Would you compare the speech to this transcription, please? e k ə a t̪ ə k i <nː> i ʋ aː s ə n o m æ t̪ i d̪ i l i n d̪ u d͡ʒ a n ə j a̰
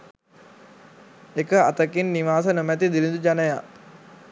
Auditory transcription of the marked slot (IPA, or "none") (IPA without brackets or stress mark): nː